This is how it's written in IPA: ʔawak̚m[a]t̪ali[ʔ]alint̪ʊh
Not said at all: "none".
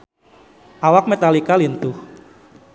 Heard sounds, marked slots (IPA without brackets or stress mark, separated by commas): e, k